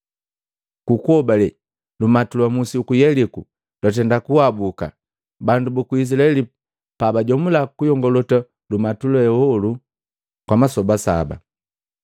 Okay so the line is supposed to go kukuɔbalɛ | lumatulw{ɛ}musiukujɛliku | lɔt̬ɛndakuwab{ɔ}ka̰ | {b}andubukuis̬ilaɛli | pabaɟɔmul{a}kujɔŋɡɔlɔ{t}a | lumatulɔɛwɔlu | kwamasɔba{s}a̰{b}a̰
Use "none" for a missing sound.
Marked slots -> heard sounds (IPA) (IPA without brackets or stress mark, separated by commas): a, u, b, a, t, s, b